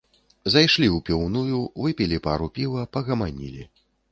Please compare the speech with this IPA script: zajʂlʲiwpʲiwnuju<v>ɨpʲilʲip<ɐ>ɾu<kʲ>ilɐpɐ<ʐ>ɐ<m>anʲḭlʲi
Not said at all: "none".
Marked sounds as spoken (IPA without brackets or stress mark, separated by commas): v, a, pʲ, ɣ, m